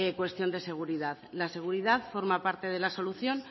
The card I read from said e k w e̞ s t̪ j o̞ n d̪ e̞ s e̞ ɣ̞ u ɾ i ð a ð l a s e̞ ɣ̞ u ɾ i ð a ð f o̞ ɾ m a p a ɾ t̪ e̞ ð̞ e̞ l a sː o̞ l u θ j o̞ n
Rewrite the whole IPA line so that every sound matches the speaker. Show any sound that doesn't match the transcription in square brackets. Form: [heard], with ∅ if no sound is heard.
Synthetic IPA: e k w e̞ s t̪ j o̞ n d̪ e̞ s e̞ ɣ̞ u ɾ i ð a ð l a s e̞ ɣ̞ u ɾ i ð a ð f o̞ ɾ m a p a ɾ t̪ e̞ ð̞ e̞ l a [s] o̞ l u θ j o̞ n